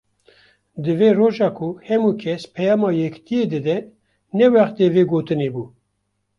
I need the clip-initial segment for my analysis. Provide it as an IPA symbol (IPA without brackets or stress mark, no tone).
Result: d̪